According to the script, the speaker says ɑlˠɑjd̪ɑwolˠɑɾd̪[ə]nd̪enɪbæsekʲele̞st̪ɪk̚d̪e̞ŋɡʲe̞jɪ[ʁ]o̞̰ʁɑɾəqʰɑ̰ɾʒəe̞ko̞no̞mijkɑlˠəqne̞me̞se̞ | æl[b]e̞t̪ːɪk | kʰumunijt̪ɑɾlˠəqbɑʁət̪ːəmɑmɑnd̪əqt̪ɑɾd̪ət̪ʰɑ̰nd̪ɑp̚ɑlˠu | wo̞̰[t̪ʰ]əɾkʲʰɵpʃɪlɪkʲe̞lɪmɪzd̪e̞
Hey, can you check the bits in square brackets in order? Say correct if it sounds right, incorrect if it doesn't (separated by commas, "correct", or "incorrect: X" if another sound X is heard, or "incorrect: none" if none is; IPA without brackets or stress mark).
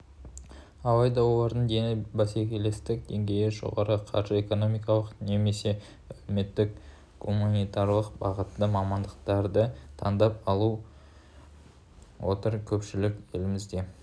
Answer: correct, incorrect: ʒ, incorrect: m, incorrect: t̪